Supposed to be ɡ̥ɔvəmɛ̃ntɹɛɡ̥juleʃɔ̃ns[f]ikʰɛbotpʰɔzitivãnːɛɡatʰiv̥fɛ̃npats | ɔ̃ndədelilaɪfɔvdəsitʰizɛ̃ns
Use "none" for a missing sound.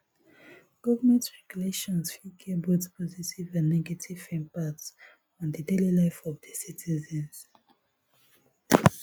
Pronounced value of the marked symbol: f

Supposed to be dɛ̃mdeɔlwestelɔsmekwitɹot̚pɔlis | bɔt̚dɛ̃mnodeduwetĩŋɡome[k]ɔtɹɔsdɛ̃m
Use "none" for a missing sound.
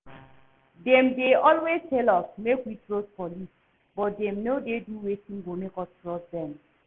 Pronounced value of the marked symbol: k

